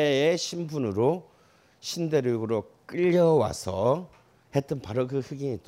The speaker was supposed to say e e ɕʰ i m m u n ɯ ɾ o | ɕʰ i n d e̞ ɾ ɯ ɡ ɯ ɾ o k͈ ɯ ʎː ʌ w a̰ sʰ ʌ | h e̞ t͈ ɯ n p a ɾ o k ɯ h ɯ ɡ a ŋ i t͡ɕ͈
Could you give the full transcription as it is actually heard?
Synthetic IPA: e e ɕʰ i m b u n ɯ ɾ o | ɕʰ i n d e̞ ɾ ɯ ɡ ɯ ɾ o k͈ ɯ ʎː ʌ w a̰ sʰ ʌ | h e̞ t͈ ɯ n p a ɾ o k ɯ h ɯ ɡ i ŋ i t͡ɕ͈